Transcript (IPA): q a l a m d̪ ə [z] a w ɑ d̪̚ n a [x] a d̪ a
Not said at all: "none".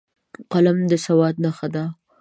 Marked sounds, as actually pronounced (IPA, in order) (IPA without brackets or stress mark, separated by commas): s, x